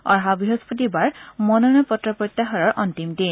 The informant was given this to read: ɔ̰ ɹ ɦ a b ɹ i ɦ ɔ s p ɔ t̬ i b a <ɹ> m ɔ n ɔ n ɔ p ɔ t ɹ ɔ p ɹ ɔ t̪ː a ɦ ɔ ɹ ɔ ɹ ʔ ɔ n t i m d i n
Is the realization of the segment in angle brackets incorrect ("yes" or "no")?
no